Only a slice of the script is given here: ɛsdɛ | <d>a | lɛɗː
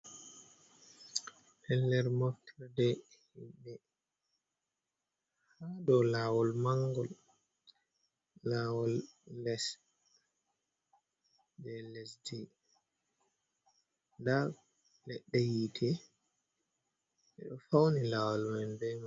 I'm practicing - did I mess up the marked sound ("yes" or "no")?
no